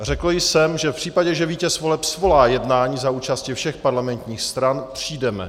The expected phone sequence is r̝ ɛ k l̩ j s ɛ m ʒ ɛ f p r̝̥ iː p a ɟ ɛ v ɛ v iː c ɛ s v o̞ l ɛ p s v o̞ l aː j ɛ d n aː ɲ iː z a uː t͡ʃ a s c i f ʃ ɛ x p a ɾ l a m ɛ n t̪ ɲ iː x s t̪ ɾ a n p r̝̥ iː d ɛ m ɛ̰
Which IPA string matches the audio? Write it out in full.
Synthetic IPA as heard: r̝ ɛ k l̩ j s ɛ m ʒ ɛ f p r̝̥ iː p a ɟ ɛ ʒ ɛ v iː c ɛ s v o̞ l ɛ p s v o̞ l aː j ɛ d n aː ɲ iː z a uː t͡ʃ a s c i f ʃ ɛ x p a ɾ l a m ɛ n t̪ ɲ iː x s t̪ ɾ a n p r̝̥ iː d ɛ m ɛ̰